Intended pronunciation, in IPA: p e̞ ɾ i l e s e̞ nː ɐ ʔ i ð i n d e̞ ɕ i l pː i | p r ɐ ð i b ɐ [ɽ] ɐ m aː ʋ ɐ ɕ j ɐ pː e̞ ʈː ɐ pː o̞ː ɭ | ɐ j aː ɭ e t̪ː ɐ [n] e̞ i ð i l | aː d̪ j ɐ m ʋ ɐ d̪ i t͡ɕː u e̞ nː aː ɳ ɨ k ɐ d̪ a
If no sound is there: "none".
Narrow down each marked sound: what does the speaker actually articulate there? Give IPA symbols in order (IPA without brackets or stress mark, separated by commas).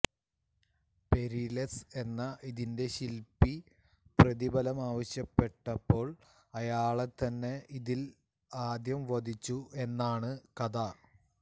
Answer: l, nː